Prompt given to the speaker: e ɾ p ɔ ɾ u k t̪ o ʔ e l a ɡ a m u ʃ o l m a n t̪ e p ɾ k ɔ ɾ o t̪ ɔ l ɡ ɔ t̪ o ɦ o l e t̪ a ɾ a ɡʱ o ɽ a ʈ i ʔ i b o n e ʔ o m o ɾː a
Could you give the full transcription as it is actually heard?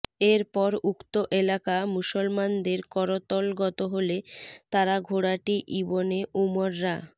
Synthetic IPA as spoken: e ɾ p ɔ ɾ u k t̪ o ʔ e l a k a m u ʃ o l m a n d̪ e ɾ k ɔ ɾ o t̪ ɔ l ɡ ɔ t̪ o ɦ o l e t̪ a ɾ a ɡʱ o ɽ a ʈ i ʔ i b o n e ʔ u m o ɾː a